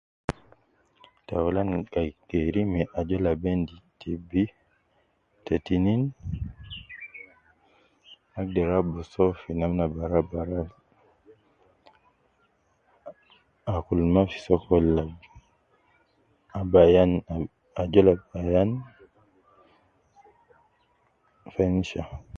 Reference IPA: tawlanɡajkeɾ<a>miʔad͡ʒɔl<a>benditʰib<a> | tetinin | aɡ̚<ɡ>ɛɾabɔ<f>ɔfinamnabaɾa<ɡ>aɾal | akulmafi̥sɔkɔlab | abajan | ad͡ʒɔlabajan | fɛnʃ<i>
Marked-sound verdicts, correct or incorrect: incorrect, correct, incorrect, incorrect, incorrect, incorrect, incorrect

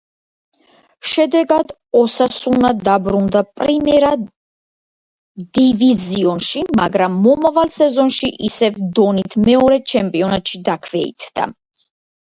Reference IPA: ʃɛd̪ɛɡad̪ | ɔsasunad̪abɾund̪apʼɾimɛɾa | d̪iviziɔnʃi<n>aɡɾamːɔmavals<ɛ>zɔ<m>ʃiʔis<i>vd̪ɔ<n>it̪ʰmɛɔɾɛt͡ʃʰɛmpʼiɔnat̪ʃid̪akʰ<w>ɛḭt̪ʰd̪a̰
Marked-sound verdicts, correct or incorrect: incorrect, correct, incorrect, incorrect, correct, incorrect

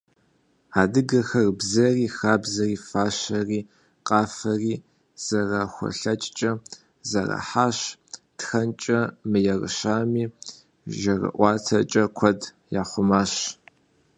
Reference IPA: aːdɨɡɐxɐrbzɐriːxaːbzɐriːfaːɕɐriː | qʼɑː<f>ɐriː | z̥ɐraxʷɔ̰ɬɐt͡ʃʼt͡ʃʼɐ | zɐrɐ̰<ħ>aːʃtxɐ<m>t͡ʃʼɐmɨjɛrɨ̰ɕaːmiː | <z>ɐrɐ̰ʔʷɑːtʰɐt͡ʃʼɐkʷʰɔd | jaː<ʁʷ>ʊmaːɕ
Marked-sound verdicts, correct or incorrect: correct, correct, incorrect, incorrect, incorrect

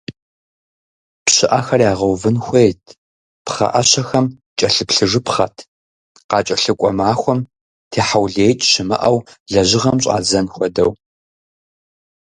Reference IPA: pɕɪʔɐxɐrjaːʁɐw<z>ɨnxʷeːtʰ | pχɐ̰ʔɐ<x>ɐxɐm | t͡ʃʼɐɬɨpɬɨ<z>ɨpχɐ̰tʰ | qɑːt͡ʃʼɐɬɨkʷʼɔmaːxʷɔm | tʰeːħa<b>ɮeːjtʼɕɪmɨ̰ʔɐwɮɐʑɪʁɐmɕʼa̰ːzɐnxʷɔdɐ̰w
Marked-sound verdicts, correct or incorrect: incorrect, incorrect, incorrect, incorrect

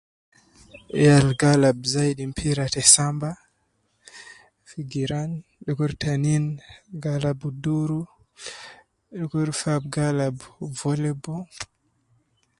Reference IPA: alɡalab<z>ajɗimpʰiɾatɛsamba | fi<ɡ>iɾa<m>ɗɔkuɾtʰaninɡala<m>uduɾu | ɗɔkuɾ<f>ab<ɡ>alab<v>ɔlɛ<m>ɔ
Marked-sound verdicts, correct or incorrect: correct, correct, incorrect, incorrect, correct, correct, correct, incorrect

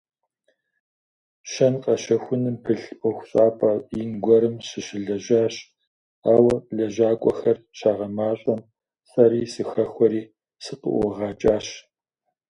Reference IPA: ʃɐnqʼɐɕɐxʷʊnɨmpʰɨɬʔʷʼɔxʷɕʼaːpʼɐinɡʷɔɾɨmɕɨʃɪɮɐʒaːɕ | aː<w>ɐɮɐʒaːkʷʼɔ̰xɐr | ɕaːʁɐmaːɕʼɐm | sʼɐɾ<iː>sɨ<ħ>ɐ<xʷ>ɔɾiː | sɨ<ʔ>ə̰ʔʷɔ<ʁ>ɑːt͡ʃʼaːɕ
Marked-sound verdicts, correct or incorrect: correct, correct, incorrect, correct, incorrect, correct

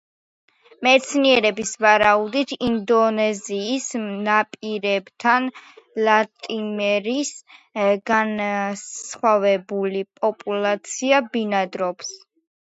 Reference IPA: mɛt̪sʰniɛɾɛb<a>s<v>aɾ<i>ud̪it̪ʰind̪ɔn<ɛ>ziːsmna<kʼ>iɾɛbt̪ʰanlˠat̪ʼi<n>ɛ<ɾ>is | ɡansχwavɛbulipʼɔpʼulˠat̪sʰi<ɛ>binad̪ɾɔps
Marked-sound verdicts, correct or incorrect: incorrect, correct, incorrect, correct, incorrect, incorrect, correct, incorrect

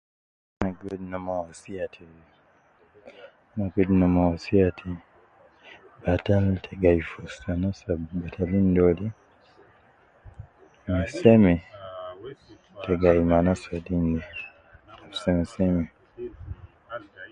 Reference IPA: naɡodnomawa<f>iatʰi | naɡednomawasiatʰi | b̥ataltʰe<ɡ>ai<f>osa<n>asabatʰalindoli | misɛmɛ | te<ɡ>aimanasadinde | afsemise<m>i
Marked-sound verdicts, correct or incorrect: incorrect, correct, correct, correct, correct, correct

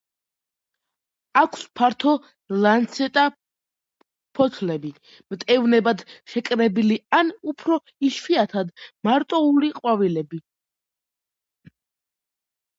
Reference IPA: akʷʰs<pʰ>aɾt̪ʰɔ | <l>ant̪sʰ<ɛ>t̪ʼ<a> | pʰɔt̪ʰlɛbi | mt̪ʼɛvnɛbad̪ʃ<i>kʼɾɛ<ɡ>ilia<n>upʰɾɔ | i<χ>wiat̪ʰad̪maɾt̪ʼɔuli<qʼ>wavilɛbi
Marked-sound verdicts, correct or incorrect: correct, correct, correct, correct, incorrect, incorrect, correct, incorrect, correct

